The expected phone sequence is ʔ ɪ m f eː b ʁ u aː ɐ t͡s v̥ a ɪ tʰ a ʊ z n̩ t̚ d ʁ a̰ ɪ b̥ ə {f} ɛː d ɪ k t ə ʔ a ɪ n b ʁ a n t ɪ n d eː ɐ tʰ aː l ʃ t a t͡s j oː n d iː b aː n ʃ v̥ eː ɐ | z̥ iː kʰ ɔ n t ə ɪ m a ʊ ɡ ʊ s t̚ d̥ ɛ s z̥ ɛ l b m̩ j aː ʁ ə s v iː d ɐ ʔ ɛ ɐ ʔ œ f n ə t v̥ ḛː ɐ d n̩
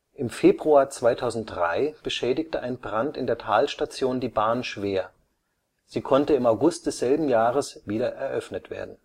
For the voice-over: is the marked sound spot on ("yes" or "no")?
no